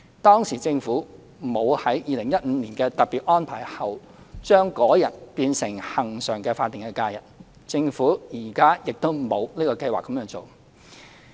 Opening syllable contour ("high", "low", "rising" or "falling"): high